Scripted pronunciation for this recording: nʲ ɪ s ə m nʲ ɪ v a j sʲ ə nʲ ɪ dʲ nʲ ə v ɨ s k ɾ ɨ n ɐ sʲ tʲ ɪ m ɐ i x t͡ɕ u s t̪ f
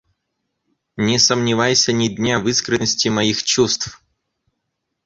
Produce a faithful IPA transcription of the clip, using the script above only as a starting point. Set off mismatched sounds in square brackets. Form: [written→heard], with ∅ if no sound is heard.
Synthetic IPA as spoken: nʲ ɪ s ə m nʲ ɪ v a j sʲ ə nʲ ɪ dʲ nʲ [ə→a] v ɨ s k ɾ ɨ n [ɐ→ə] sʲ tʲ ɪ m ɐ i x t͡ɕ u s t̪ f